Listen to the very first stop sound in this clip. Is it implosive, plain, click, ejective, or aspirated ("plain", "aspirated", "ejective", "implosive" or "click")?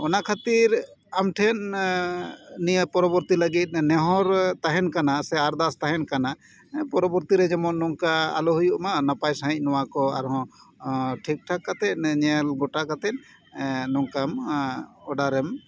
aspirated